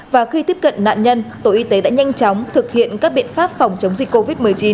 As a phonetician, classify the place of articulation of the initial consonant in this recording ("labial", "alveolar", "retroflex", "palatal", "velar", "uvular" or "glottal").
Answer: labial